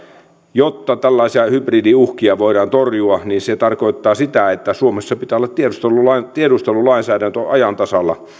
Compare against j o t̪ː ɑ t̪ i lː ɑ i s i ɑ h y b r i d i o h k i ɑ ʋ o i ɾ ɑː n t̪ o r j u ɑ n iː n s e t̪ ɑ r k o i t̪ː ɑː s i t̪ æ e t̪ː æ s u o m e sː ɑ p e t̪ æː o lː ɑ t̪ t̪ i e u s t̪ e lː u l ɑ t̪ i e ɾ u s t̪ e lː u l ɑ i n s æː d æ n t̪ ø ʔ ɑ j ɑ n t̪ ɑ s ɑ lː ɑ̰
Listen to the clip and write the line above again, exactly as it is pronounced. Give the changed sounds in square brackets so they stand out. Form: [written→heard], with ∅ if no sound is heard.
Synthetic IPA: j o t̪ː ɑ t̪ [i→æ] lː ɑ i s i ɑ h y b r i d i [o→u] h k i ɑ ʋ o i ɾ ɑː n t̪ o r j u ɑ n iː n s e t̪ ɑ r k o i t̪ː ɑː s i t̪ æ e t̪ː æ s u o m e sː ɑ p [e→i] t̪ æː o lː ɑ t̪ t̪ i e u s t̪ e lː u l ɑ t̪ i e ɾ u s t̪ e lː u l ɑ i n s æː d æ n t̪ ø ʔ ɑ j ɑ n t̪ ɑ s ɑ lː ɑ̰